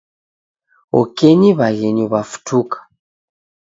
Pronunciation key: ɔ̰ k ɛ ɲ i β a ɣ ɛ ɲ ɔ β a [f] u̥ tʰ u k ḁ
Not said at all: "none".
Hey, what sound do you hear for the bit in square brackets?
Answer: f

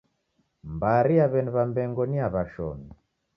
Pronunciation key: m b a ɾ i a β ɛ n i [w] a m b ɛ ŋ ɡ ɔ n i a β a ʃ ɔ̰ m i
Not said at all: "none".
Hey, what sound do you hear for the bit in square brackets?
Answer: β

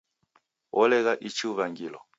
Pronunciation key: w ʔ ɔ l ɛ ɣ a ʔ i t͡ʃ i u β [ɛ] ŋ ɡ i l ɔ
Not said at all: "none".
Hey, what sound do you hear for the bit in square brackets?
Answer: a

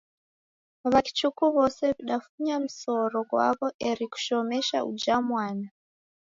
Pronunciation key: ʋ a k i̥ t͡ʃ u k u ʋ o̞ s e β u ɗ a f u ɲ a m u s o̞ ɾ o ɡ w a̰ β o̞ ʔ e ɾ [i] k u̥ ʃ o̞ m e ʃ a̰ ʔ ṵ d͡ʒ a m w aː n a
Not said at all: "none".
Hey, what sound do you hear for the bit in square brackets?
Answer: i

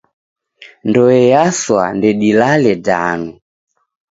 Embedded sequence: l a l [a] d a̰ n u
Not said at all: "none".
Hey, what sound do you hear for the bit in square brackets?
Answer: ɛ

